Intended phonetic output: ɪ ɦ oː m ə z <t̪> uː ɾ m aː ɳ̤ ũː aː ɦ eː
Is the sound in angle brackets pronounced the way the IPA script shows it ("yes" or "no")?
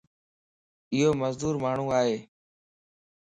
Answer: no